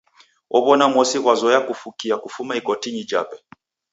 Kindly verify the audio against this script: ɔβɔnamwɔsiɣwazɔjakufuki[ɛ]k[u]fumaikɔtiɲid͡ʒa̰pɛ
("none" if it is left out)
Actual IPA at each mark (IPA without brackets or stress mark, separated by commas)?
a, u